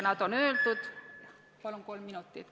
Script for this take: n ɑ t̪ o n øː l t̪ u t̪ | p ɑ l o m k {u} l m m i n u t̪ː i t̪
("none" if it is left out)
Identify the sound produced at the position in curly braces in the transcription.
o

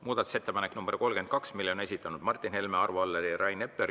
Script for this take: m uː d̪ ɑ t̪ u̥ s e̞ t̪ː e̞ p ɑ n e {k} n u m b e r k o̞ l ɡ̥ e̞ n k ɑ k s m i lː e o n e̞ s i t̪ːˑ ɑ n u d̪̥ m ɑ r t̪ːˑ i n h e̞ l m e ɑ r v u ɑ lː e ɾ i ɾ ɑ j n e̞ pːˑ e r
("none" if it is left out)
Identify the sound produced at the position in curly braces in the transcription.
k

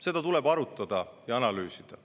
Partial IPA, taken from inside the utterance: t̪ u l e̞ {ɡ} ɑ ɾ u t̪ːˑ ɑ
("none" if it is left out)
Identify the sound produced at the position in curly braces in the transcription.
b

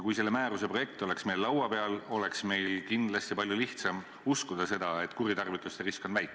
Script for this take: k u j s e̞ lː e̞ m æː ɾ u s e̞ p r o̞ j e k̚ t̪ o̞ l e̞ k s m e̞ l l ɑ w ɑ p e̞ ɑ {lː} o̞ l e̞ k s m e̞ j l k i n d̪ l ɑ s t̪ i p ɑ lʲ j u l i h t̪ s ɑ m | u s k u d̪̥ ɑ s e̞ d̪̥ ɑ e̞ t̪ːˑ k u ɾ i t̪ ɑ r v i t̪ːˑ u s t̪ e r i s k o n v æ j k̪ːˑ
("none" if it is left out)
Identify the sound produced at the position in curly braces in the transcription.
l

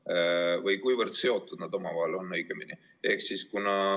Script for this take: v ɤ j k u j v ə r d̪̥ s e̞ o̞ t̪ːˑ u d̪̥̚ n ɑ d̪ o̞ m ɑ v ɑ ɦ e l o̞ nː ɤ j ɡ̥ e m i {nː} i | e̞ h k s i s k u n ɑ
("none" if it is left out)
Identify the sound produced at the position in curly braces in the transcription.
n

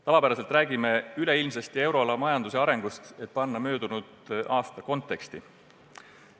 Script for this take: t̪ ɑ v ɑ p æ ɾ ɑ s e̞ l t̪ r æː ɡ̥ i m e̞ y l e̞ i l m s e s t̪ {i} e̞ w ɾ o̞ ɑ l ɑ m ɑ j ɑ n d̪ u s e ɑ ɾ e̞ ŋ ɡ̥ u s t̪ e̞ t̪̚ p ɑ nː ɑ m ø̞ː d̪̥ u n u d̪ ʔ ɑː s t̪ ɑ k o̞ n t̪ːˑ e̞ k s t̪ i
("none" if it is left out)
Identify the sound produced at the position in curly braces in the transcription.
i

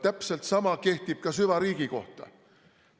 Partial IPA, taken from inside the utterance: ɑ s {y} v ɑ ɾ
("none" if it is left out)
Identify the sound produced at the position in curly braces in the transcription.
y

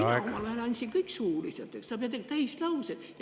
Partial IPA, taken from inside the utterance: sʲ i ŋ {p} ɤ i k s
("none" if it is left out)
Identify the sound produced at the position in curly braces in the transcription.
k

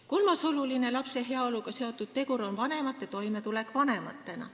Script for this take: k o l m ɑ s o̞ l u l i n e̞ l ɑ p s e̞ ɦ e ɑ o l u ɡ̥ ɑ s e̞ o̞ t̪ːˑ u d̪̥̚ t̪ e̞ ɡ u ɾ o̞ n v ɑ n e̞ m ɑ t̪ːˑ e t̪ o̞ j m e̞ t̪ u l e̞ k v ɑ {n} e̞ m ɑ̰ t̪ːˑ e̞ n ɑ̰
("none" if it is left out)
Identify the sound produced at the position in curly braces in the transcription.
n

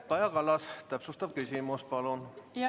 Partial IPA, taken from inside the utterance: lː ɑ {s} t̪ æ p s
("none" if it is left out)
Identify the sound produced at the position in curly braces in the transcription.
s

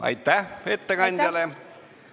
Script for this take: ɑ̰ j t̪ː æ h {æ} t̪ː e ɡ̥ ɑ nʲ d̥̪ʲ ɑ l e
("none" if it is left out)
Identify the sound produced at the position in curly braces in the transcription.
e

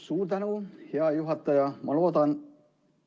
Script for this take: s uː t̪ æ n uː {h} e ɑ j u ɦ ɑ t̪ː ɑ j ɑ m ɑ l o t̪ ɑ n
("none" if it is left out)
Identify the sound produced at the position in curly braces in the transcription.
h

